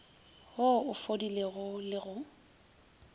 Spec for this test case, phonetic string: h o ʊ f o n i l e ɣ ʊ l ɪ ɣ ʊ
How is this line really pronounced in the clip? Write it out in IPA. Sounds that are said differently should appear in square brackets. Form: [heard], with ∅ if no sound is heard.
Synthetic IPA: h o ʊ f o [d] i l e ɣ ʊ l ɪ ɣ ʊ